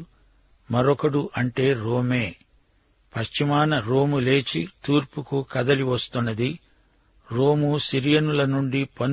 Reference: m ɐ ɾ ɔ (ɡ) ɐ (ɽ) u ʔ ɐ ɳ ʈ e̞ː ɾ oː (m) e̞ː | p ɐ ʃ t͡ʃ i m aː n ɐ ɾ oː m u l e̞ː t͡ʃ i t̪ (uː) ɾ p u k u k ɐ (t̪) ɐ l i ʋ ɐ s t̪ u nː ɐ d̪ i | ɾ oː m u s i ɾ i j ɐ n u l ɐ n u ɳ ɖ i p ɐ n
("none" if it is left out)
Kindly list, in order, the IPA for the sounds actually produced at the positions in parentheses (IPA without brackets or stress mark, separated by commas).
k, ɽ, m, uː, d̪